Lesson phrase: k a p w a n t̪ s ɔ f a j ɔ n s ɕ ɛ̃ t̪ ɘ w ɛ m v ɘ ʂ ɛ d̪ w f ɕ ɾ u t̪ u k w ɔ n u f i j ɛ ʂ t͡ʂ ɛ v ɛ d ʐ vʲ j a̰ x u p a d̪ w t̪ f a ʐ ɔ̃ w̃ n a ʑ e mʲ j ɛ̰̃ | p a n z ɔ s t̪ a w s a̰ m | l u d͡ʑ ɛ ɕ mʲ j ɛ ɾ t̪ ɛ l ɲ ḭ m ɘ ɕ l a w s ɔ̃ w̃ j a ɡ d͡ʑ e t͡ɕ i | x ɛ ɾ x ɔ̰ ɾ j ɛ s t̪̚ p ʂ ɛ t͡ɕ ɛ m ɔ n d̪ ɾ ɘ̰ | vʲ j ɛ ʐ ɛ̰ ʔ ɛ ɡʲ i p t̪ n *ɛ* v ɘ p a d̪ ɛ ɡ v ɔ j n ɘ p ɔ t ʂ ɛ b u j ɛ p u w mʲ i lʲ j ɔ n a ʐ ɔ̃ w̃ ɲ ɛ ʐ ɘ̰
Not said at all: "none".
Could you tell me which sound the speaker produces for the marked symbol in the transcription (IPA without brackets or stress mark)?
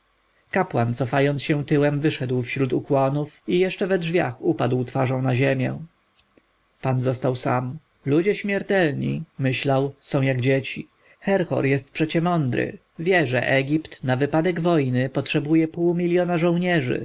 a